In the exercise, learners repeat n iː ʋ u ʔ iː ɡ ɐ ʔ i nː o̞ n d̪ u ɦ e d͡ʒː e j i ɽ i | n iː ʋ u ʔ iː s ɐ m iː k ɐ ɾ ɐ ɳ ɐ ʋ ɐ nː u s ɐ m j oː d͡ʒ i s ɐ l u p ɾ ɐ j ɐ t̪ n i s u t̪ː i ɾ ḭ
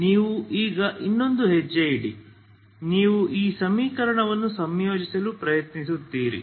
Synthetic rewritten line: n iː ʋ u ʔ iː ɡ ɐ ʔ i nː o̞ n d̪ u ɦ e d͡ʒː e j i ɽ i | n iː ʋ u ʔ iː s ɐ m iː k ɐ ɾ ɐ ɳ ɐ ʋ ɐ nː u s ɐ m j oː d͡ʒ i s ɐ l u p ɾ ɐ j ɐ t̪ n i s u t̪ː iː ɾ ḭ